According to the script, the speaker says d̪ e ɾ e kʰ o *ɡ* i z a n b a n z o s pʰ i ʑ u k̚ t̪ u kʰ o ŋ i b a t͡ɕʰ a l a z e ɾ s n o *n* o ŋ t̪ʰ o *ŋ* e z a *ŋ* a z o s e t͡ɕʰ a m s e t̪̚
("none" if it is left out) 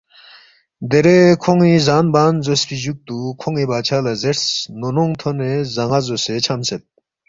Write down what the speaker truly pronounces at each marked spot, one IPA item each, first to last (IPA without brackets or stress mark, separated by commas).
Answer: ŋ, n, n, ŋ